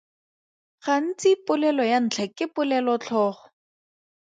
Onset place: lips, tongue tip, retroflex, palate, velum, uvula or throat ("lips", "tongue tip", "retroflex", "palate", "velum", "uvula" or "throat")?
uvula